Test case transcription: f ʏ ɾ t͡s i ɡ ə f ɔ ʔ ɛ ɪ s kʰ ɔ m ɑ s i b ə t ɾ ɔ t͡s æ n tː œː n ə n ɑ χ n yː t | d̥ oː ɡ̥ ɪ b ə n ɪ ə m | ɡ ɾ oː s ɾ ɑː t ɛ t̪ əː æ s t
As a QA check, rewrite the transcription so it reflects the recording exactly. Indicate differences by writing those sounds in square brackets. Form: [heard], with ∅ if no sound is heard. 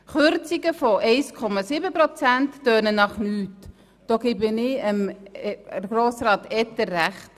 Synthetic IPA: [χ] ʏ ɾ t͡s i ɡ ə f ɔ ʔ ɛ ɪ s kʰ ɔ m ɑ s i b ə [p] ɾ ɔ t͡s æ n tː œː n ə n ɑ χ n yː t | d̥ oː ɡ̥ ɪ b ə n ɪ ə m | ɡ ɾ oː s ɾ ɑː t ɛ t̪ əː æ [χ] t